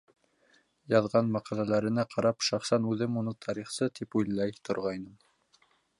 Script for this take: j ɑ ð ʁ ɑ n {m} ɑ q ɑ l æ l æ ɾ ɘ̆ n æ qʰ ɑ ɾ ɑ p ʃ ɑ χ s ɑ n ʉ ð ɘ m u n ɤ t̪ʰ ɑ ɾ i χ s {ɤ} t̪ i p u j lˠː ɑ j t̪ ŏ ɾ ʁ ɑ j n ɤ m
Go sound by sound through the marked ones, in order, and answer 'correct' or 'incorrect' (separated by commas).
correct, correct